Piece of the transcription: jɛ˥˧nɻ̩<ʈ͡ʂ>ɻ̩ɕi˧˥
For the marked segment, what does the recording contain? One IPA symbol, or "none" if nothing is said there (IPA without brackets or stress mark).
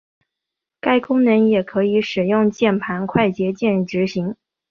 ʈ͡ʂ